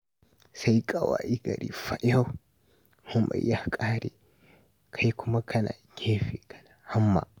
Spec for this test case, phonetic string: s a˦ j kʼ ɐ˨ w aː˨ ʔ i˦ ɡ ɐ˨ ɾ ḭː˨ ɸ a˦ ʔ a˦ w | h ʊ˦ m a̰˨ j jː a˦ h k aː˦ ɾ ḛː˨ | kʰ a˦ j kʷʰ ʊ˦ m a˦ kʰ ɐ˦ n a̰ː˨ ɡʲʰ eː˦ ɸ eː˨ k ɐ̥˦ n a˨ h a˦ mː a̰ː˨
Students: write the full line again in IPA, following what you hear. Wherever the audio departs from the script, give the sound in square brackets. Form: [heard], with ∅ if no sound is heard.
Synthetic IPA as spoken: s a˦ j kʼ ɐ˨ w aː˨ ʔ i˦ ɡ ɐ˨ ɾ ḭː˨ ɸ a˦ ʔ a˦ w | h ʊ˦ m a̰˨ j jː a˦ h [kʼ] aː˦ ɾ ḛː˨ | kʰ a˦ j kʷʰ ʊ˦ m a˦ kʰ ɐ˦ n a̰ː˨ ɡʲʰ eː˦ ɸ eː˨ k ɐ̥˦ n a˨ h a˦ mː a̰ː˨